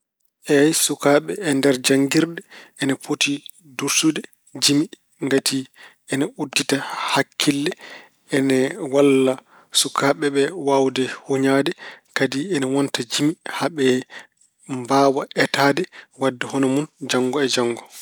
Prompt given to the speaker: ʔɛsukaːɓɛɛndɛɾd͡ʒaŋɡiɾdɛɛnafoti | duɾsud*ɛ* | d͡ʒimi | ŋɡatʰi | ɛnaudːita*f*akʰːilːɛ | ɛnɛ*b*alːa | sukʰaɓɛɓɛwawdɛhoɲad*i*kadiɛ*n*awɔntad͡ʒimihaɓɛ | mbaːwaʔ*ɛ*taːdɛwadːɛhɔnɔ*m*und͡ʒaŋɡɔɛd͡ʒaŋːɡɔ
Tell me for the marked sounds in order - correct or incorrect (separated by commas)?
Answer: correct, incorrect, incorrect, incorrect, correct, correct, correct